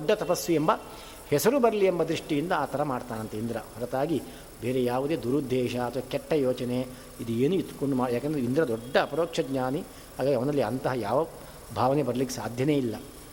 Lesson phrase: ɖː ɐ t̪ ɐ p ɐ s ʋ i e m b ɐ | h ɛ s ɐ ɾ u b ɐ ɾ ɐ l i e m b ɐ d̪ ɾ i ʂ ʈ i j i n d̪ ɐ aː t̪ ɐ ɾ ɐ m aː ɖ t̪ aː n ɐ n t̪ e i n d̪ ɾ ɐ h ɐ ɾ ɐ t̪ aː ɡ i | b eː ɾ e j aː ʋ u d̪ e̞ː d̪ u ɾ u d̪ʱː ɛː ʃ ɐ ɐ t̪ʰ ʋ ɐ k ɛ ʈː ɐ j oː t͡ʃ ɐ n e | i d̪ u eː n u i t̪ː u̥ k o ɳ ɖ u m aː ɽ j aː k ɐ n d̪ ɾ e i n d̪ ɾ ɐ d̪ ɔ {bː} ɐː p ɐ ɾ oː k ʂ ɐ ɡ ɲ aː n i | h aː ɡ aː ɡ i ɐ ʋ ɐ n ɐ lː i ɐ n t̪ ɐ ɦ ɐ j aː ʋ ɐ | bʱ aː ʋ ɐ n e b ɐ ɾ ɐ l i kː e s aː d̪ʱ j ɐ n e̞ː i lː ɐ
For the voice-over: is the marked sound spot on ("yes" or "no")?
no